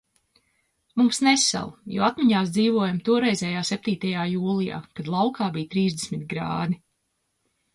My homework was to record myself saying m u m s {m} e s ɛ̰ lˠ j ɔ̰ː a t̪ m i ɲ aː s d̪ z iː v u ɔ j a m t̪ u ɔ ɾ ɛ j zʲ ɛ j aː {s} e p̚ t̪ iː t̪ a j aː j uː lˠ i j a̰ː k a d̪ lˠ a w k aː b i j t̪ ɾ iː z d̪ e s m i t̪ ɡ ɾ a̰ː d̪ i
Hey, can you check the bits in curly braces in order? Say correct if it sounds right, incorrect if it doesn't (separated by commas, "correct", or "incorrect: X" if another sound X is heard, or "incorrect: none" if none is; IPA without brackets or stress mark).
incorrect: n, correct